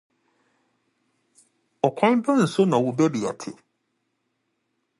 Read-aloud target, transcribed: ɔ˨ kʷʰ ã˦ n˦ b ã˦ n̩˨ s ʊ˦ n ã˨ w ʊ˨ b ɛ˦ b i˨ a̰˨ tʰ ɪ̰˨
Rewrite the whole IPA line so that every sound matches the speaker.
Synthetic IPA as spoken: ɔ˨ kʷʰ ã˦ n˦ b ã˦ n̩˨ s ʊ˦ n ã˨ w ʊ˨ b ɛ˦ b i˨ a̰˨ tʰ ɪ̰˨